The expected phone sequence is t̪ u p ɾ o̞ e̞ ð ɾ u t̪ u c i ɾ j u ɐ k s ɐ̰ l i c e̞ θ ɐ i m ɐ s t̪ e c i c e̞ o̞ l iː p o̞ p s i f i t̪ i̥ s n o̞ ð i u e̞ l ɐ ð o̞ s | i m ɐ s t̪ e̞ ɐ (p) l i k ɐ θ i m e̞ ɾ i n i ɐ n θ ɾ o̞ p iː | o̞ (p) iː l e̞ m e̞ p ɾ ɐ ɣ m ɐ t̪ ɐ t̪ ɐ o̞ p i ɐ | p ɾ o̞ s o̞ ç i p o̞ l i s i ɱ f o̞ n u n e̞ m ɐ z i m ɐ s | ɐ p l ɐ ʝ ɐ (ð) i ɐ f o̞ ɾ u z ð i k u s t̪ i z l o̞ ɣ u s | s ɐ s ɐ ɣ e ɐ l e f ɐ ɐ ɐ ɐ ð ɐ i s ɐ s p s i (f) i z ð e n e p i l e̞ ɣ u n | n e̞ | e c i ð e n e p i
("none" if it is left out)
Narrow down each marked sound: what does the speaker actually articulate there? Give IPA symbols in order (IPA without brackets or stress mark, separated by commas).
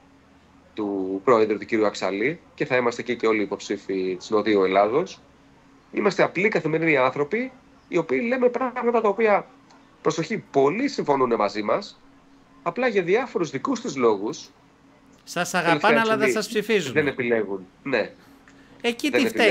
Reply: p, p, ð, f